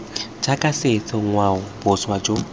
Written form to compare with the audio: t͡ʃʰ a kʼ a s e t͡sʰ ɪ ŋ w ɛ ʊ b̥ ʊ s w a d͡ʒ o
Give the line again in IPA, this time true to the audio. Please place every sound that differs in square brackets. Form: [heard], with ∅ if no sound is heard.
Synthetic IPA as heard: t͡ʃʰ a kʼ a s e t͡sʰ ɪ ŋ w [a] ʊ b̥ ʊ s w a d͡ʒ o